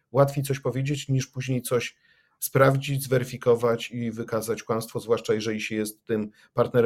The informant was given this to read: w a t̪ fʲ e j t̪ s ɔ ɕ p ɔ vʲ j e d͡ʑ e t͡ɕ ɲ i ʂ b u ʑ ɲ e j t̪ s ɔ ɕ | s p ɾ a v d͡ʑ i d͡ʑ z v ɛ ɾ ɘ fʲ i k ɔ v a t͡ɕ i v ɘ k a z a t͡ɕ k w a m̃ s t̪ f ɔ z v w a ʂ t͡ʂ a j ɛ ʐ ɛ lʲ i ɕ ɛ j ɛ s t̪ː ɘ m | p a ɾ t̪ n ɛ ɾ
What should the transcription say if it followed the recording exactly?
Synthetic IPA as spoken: w a t̪ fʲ e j t̪ s ɔ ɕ p ɔ vʲ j e d͡ʑ e t͡ɕ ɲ i ʂ p u ʑ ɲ e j t̪ s ɔ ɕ | s p ɾ a v d͡ʑ i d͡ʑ z v ɛ ɾ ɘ fʲ i k ɔ v a t͡ɕ i v ɘ k a z a t͡ɕ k w a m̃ s t̪ f ɔ z v w a ʂ t͡ʂ a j ɛ ʐ ɛ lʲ i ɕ ɛ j ɛ s t̪ː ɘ m | p a ɾ t̪ n ɛ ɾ